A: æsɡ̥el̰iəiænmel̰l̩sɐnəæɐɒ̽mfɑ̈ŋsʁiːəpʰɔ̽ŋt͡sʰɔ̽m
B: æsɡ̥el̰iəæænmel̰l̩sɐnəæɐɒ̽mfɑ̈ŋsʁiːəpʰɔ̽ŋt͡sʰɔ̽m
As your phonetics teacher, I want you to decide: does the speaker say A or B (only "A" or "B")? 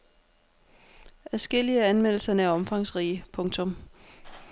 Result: B